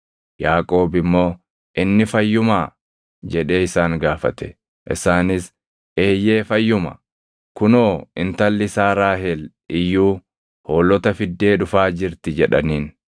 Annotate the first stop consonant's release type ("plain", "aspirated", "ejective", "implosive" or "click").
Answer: ejective